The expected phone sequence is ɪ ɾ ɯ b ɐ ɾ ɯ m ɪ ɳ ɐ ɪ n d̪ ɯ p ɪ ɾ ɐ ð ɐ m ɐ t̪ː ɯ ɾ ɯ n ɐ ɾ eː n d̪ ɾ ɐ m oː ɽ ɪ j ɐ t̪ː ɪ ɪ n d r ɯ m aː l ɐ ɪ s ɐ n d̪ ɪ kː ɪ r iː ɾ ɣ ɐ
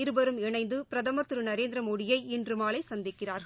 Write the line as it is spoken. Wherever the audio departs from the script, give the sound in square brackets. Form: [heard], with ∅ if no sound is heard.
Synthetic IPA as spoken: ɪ ɾ ɯ b ɐ ɾ ɯ m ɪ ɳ ɐ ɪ n d̪ ɯ p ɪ ɾ ɐ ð ɐ m ɐ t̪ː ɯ ɾ ɯ n ɐ ɾ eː n d̪ ɾ ɐ m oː ɽ ɪ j ɐ [∅] ɪ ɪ n d r ɯ m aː l ɐ ɪ s ɐ n d̪ ɪ kː ɪ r [aː] ɾ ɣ ɐ

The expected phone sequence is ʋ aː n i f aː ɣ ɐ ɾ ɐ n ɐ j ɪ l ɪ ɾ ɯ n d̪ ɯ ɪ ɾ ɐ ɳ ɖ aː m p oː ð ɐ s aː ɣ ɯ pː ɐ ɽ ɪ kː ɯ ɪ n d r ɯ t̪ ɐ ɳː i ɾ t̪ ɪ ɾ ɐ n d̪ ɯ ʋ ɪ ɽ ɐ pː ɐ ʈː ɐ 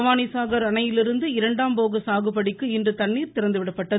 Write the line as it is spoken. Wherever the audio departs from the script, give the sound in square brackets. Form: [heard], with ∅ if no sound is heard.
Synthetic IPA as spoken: ʋ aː n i [s] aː ɣ ɐ ɾ ɐ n ɐ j ɪ l ɪ ɾ ɯ n d̪ ɯ ɪ ɾ ɐ ɳ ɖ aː m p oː [ɣ] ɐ s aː ɣ ɯ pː ɐ ɽ ɪ kː ɯ ɪ n d r ɯ t̪ ɐ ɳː [iː] ɾ t̪ ɪ ɾ ɐ n d̪ ɯ ʋ ɪ ɽ ɐ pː ɐ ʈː ɐ

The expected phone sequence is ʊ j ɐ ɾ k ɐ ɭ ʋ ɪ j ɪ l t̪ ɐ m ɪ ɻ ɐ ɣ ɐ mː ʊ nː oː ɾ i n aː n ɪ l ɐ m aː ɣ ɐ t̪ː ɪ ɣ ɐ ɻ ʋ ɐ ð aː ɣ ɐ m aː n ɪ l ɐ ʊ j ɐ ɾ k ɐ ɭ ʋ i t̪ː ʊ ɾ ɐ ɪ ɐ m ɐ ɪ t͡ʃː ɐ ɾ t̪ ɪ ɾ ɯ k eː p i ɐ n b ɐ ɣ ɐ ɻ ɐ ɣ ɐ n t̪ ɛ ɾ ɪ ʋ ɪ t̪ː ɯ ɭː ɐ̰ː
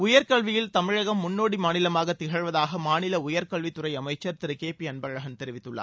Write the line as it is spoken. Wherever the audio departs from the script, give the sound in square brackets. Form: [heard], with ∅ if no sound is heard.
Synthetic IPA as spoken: ʊ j ɐ ɾ k ɐ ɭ ʋ ɪ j ɪ l t̪ ɐ m ɪ ɻ ɐ ɣ ɐ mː ʊ nː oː [ɽ] i [m] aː n ɪ l ɐ m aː ɣ ɐ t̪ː ɪ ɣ ɐ ɻ ʋ ɐ ð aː ɣ ɐ m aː n ɪ l ɐ ʊ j ɐ ɾ k ɐ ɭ ʋ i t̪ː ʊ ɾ ɐ ɪ ɐ m ɐ ɪ t͡ʃː ɐ ɾ t̪ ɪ ɾ ɯ k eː p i ɐ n b ɐ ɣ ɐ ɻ ɐ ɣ ɐ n t̪ ɛ ɾ ɪ ʋ ɪ t̪ː ɯ ɭː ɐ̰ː

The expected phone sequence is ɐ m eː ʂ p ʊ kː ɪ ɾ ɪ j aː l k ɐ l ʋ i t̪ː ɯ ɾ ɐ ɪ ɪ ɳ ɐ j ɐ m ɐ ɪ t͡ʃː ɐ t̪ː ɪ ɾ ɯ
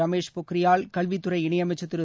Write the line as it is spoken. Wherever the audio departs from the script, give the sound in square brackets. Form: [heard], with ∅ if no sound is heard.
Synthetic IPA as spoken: ɐ m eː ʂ p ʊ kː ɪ ɾ ɪ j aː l k ɐ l ʋ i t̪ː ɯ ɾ ɐ ɪ ɪ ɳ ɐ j ɐ m ɐ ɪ t͡ʃː ɐ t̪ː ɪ ɾ ɯ

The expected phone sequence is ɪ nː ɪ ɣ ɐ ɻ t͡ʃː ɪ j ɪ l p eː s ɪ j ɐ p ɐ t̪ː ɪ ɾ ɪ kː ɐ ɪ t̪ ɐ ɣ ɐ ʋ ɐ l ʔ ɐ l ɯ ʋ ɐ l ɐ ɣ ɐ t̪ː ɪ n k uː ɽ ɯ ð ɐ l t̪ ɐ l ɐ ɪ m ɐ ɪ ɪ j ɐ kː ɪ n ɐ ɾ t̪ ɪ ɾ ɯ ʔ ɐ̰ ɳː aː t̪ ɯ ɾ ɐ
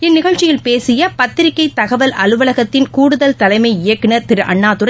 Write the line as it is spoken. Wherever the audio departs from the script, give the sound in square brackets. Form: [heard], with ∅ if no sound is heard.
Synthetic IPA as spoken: ɪ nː ɪ ɣ ɐ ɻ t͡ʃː ɪ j ɪ l p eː s ɪ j ɐ p ɐ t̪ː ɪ ɾ ɪ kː ɐ ɪ t̪ ɐ ɣ ɐ ʋ ɐ l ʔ ɐ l ɯ ʋ ɐ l ɐ ɣ ɐ t̪ː ɪ n k uː ɽ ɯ ð ɐ l t̪ ɐ l ɐ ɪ m ɐ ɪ ɪ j ɐ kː ɪ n ɐ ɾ t̪ ɪ ɾ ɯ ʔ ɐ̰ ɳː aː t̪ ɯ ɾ ɐ

